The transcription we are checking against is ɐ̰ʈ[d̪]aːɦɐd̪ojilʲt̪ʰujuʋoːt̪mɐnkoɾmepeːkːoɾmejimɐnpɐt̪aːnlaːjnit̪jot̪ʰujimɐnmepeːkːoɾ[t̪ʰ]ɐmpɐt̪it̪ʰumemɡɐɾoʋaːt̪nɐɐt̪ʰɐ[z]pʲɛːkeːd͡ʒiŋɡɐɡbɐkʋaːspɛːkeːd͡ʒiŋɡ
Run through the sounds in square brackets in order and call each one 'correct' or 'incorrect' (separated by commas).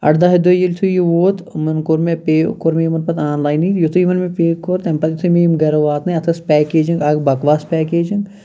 correct, incorrect, incorrect